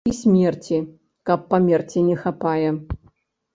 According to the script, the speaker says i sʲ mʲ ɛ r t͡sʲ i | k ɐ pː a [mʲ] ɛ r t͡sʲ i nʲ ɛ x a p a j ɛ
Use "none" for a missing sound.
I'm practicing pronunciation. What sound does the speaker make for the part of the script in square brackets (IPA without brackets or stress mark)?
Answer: mʲ